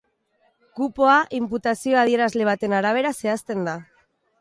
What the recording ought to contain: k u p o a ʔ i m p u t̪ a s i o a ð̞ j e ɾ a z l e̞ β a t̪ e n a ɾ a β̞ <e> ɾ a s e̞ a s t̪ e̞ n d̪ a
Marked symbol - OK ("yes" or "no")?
yes